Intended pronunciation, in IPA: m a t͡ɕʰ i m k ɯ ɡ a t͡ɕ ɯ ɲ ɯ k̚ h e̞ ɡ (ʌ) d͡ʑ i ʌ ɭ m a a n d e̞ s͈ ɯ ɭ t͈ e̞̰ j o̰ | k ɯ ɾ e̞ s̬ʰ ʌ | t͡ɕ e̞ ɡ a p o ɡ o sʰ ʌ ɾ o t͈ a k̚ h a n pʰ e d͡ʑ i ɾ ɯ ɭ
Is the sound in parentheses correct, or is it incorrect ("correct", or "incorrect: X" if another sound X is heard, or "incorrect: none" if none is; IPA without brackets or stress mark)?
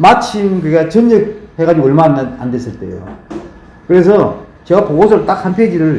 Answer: incorrect: a